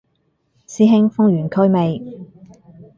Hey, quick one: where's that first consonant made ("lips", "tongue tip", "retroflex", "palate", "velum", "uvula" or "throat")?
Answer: tongue tip